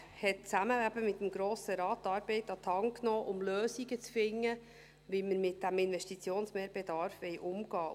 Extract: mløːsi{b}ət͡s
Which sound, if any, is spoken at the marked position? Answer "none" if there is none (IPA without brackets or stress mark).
ɡ